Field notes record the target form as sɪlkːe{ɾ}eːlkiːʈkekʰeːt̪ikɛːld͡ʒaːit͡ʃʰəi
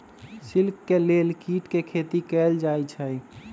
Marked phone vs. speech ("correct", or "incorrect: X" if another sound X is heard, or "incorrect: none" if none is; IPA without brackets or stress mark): incorrect: l